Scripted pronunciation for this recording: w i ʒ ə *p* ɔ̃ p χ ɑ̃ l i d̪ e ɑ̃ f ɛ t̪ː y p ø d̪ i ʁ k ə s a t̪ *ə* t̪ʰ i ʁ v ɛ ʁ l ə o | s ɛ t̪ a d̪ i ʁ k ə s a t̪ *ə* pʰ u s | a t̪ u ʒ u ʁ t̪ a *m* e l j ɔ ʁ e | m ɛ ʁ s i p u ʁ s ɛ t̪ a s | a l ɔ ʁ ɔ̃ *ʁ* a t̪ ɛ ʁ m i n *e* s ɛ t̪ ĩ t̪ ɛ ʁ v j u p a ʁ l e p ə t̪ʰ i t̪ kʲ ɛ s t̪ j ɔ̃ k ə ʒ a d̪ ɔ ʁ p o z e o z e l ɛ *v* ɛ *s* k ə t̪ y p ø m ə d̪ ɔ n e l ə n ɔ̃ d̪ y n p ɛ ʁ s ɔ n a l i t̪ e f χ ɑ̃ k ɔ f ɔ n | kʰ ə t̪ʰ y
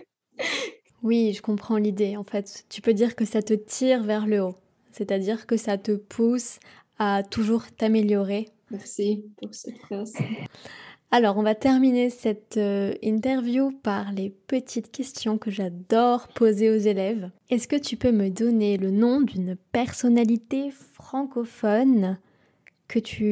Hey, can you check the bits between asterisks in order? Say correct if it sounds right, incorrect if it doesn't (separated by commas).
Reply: incorrect, correct, correct, correct, incorrect, correct, correct, correct